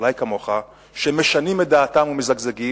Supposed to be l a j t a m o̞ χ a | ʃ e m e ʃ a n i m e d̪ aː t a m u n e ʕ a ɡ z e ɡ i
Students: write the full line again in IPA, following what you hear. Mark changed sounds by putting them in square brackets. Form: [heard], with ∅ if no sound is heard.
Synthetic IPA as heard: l a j [k] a m o̞ χ a | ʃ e m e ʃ a n i m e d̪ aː t a m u [m] e [z] a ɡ z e ɡ i